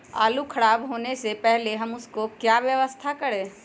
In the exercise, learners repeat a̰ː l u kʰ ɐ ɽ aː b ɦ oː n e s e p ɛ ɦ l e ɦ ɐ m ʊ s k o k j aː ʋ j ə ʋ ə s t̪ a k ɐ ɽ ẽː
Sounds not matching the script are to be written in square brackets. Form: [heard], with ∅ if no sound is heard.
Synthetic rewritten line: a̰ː l u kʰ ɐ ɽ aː b ɦ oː n e s e p ɛ ɦ l e ɦ ɐ m ʊ s k o k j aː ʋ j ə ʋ ə s [t̪ʰ] a k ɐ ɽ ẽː